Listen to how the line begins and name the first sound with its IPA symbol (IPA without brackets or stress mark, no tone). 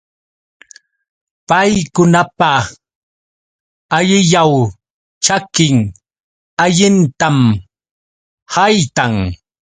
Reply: p